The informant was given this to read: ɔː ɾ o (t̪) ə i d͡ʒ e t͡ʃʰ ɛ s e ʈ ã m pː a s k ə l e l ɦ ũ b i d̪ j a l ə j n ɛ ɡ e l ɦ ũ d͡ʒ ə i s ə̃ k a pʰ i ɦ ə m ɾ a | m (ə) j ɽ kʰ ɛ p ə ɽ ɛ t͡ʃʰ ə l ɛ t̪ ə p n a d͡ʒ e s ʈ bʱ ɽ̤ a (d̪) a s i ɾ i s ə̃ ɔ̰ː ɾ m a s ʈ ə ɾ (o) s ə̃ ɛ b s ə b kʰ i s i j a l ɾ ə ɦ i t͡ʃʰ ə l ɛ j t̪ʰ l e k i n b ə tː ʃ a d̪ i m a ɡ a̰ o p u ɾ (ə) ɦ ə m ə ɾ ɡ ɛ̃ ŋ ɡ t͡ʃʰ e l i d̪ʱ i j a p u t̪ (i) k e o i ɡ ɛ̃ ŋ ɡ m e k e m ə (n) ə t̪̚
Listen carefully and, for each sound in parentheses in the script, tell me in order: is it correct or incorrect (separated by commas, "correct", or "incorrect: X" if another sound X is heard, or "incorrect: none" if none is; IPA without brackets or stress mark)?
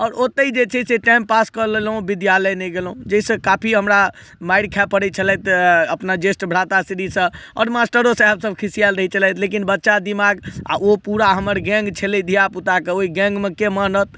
correct, incorrect: a, incorrect: t̪, correct, incorrect: a, incorrect: a, correct